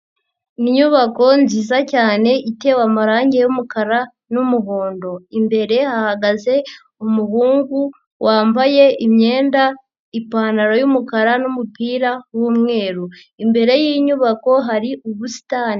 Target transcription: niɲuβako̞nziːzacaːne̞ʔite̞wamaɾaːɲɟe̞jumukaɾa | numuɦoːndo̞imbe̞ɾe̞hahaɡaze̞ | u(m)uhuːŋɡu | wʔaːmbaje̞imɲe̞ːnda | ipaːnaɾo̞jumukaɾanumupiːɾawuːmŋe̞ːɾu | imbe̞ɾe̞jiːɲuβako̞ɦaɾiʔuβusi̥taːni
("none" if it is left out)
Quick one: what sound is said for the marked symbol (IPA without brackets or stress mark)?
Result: m